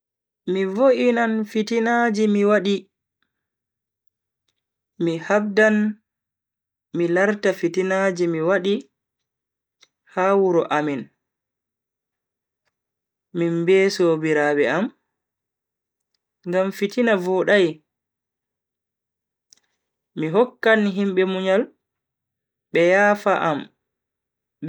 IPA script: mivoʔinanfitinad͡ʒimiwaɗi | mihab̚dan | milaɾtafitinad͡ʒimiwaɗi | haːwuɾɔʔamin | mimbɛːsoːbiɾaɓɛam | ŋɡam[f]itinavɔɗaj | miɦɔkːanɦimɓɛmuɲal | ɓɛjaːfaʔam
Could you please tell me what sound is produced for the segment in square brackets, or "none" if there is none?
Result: f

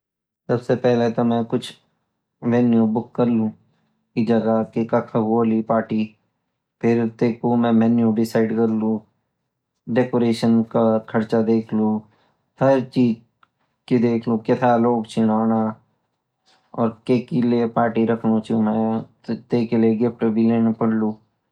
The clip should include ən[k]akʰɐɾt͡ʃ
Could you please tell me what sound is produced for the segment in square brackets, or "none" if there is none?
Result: k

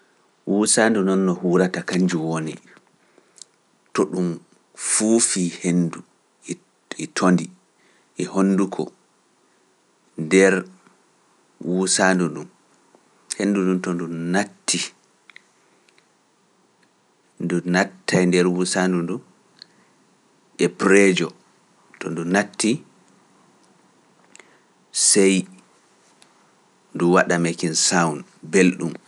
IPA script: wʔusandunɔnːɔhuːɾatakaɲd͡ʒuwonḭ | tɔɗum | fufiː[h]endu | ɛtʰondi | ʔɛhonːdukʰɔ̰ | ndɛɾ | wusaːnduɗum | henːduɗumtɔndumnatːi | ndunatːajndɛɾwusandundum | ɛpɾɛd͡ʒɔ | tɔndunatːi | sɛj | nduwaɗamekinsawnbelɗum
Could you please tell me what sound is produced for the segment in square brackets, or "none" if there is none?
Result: h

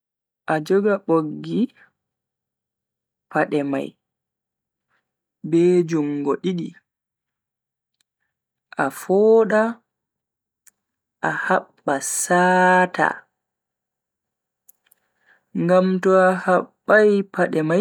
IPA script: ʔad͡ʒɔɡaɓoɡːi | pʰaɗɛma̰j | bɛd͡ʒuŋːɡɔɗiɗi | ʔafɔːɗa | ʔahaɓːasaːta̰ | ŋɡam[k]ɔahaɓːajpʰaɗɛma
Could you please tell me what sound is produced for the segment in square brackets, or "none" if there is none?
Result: t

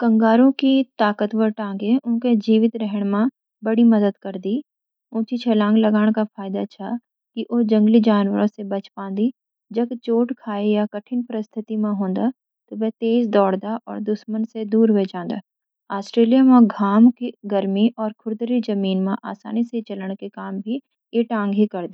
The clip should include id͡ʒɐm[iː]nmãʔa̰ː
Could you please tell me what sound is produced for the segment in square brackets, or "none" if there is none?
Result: iː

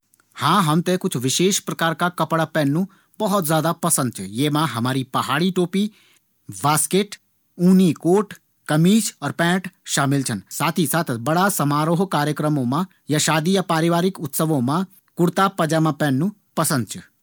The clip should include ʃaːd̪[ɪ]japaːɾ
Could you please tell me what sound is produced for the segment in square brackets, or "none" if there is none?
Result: i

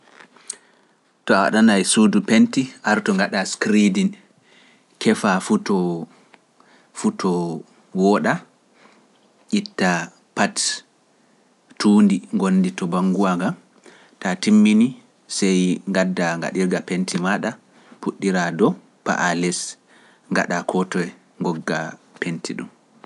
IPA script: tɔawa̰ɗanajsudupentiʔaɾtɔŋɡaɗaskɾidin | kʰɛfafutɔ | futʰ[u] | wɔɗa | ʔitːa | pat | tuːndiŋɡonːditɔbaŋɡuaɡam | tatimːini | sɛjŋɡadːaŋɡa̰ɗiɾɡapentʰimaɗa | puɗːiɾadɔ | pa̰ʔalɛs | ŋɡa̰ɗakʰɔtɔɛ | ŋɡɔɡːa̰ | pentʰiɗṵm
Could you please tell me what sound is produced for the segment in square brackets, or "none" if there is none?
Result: ɔ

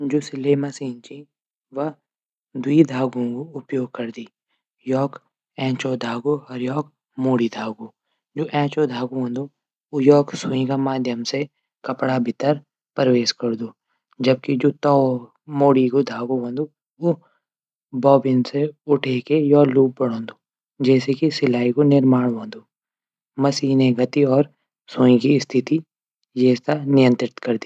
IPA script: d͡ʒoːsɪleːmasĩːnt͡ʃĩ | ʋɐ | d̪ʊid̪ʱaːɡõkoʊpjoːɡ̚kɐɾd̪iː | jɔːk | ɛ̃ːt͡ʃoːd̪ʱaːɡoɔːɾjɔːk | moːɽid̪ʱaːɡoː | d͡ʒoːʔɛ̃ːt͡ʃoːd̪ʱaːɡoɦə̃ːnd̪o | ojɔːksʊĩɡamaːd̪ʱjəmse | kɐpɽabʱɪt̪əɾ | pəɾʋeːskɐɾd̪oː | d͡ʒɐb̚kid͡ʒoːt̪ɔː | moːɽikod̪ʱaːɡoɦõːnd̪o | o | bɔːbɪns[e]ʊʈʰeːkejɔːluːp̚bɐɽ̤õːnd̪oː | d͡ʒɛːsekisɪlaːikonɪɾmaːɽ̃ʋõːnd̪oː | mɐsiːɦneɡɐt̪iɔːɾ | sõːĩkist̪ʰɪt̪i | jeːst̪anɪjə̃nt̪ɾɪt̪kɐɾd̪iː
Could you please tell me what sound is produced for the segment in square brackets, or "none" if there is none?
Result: e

